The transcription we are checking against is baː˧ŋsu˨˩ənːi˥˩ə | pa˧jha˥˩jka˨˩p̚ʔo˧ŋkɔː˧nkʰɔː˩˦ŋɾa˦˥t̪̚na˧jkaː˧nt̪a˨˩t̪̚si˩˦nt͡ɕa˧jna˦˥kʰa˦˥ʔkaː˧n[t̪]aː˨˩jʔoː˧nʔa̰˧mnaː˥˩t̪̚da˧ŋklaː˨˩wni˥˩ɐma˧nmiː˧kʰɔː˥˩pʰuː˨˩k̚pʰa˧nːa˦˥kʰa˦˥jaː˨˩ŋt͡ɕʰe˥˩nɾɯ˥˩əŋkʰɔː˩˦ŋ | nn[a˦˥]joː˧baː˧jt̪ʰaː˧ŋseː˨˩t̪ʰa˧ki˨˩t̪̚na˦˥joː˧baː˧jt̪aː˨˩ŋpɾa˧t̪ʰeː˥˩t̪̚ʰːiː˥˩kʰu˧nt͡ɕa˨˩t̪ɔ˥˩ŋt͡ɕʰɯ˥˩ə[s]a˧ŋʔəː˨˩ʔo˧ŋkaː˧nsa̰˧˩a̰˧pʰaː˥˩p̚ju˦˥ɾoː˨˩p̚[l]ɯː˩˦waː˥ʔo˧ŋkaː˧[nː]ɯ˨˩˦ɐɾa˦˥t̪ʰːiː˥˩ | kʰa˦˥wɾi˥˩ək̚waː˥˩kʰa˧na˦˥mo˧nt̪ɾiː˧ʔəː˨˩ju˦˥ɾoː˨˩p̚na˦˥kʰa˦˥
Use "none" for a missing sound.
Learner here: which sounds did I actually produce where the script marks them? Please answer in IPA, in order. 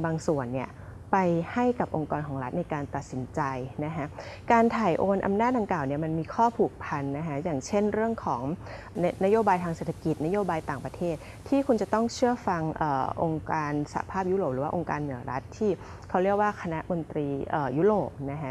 t̪ʰ, a˦˥, f, ɾ, nː

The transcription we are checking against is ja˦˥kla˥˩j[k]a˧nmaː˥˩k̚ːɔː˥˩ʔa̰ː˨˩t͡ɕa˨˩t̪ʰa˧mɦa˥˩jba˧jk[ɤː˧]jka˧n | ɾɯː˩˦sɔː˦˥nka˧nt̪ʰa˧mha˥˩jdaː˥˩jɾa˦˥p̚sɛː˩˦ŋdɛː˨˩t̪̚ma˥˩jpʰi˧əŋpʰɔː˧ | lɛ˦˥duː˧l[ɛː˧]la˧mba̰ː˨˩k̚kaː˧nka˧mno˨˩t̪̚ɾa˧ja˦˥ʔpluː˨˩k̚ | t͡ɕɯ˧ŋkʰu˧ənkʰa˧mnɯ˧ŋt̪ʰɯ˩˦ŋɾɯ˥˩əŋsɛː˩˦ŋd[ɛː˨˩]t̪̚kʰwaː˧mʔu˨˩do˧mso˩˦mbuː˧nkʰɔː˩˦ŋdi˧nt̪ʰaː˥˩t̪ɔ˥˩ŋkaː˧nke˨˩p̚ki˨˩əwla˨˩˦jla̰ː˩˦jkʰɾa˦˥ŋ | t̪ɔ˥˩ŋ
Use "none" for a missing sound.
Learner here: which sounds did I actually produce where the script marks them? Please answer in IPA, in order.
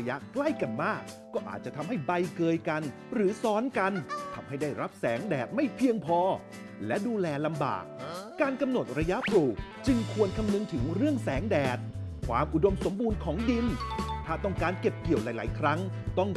k, ɤː˧, ɛː˧, ɛː˨˩

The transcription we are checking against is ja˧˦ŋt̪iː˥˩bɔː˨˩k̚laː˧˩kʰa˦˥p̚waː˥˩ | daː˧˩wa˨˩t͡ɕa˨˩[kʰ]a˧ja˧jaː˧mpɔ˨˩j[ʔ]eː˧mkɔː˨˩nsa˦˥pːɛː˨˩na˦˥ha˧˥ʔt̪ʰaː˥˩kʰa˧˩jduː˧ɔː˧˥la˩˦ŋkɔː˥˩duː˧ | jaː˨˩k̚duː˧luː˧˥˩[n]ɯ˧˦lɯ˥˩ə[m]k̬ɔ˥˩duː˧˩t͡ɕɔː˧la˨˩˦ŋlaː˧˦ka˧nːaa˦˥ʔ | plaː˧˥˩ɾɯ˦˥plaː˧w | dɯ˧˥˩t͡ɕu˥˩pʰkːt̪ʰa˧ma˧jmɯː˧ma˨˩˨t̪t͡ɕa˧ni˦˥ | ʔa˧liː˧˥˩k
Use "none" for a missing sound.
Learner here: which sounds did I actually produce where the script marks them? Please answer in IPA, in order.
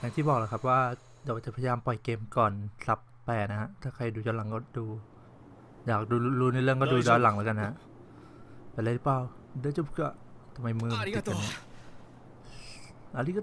pʰ, k, n, ŋ

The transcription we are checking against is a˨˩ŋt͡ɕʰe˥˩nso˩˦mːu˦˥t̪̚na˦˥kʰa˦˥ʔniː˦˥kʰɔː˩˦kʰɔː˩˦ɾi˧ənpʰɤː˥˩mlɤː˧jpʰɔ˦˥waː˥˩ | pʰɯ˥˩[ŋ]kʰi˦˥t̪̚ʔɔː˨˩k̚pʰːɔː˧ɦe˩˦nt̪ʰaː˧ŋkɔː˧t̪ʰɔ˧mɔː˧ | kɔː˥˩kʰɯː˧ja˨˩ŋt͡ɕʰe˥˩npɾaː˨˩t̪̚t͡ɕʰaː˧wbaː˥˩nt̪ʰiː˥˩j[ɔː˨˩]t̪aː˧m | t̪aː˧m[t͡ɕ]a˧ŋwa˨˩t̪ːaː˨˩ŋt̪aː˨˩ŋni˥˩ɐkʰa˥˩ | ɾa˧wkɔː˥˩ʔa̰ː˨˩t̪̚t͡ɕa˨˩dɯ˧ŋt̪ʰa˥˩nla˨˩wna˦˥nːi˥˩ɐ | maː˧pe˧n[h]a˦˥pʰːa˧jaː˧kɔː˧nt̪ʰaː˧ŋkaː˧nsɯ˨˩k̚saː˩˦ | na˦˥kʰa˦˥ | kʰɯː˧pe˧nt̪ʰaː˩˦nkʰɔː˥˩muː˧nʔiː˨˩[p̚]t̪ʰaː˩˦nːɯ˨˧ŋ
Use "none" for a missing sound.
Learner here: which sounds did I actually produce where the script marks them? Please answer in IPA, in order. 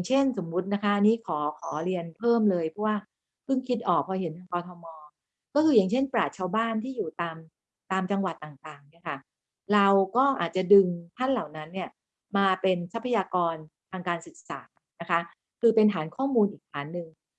ŋ, uː˨˩, t͡ɕ, s, k̚

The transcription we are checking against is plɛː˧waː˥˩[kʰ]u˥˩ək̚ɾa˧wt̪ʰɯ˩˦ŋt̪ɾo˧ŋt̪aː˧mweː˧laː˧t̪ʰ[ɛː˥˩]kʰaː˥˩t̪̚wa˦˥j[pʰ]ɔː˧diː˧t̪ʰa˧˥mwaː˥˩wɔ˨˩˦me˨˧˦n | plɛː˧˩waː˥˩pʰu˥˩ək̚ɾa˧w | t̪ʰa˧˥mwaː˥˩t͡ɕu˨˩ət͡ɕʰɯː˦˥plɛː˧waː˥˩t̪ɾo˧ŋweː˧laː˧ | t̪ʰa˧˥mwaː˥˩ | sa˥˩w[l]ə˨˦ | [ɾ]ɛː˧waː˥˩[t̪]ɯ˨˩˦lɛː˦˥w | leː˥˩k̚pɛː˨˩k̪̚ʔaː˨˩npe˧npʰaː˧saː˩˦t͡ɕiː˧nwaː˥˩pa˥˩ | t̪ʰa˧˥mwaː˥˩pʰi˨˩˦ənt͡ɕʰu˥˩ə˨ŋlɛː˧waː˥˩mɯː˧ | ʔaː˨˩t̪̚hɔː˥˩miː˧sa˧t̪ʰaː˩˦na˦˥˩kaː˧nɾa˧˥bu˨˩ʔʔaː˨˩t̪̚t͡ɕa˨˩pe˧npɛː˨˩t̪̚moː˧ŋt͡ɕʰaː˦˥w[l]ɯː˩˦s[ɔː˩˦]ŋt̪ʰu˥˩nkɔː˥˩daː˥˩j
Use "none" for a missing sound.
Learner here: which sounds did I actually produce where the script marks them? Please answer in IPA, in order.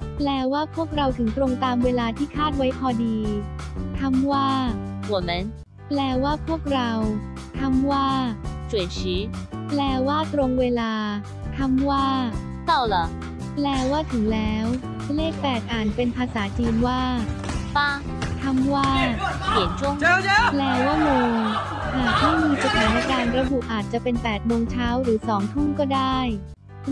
pʰ, iː˥˩, pʰ, l, l, t̪ʰ, ɾ, ɔː˩˦

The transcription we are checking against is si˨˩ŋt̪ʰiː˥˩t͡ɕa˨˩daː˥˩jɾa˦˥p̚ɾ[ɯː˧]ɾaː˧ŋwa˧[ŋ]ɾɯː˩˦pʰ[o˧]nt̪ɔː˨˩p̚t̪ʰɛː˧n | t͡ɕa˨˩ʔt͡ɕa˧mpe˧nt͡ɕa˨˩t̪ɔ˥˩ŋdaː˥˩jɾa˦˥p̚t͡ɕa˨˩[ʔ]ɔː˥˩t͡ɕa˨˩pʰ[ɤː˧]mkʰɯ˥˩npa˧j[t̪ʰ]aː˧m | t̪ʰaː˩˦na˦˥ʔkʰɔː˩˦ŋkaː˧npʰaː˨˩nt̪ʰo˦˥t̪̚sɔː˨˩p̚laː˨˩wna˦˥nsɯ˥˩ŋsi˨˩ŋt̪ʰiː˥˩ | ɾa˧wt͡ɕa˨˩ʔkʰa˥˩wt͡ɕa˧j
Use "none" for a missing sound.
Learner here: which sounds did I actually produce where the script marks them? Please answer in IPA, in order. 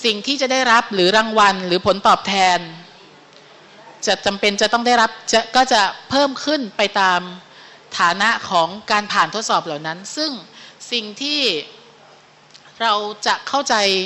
ɯː˩˦, n, o˩˦, k, ɤː˥˩, t̪

